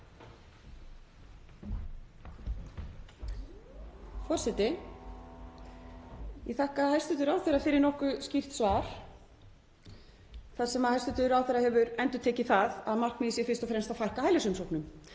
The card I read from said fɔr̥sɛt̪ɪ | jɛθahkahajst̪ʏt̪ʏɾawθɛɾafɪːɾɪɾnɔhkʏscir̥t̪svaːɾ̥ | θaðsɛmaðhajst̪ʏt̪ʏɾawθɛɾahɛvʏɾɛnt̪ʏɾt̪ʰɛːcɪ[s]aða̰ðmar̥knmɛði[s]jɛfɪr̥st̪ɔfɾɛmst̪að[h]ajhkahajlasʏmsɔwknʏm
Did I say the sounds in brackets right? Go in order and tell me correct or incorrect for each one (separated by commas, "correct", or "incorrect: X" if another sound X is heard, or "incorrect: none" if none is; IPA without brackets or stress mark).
incorrect: θ, correct, incorrect: f